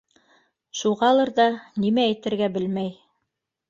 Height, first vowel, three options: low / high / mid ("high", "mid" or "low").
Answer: high